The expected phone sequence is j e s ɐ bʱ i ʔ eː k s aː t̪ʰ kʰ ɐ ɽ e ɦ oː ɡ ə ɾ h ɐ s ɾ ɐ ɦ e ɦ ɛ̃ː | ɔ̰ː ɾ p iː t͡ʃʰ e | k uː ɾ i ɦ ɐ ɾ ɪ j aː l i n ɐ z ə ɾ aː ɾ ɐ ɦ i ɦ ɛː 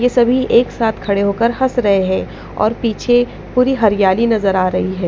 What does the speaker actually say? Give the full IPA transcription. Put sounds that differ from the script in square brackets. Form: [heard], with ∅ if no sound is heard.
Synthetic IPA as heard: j e s ɐ bʱ i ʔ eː k s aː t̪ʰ kʰ ɐ ɽ e ɦ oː [k] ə ɾ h ɐ s ɾ ɐ ɦ e ɦ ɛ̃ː | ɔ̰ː ɾ p iː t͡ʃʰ e | [p] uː ɾ i ɦ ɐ ɾ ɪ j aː l i n ɐ z ə ɾ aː ɾ ɐ ɦ i ɦ ɛː